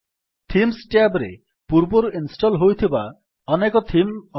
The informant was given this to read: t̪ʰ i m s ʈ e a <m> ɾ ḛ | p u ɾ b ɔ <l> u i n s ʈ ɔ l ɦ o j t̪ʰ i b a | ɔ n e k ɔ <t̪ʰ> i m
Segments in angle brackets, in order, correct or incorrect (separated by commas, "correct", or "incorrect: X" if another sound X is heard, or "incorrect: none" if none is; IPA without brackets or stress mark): incorrect: b, incorrect: ɾ, correct